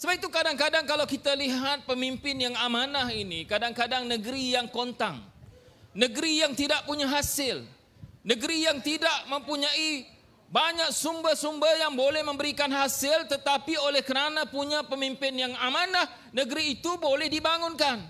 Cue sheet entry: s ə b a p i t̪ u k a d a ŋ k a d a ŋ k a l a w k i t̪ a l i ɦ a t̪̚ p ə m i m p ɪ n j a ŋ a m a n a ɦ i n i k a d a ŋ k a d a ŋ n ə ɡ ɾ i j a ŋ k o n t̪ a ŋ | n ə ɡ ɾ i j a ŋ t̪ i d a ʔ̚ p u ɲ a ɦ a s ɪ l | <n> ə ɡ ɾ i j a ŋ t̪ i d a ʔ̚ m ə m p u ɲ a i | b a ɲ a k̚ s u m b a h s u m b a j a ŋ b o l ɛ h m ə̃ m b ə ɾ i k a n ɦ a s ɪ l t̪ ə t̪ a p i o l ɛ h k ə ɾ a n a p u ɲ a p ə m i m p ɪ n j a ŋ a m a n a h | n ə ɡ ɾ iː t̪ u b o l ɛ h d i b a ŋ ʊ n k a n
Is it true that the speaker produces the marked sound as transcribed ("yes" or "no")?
yes